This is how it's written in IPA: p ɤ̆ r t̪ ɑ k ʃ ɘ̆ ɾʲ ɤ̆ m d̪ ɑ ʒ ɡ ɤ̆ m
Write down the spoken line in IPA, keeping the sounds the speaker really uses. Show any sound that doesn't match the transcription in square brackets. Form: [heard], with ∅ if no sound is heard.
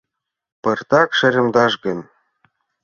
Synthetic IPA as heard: p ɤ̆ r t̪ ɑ k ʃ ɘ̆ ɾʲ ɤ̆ m d̪ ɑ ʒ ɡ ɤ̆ [n]